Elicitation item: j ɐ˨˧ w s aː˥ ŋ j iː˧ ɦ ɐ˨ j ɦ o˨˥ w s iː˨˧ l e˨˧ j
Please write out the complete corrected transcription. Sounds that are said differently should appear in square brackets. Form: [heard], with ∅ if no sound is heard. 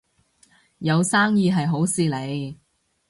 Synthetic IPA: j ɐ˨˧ w s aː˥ ŋ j iː˧ ɦ ɐ˨ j ɦ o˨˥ w s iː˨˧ l e˨˧ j